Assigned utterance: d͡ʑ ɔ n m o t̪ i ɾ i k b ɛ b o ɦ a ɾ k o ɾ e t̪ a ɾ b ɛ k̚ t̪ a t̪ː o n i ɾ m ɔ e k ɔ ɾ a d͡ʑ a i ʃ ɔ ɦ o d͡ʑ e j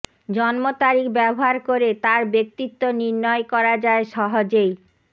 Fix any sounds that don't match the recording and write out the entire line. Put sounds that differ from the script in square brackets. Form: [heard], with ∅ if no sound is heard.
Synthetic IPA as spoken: d͡ʑ ɔ n m o t̪ [a] ɾ i k b ɛ b o ɦ a ɾ k o ɾ e t̪ a ɾ b [e] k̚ t̪ [i] t̪ː o n i ɾ [n] ɔ e k ɔ ɾ a d͡ʑ a [e] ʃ ɔ ɦ o d͡ʑ e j